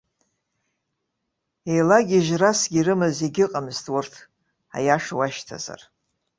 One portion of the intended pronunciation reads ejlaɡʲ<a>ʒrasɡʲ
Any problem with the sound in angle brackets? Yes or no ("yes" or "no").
yes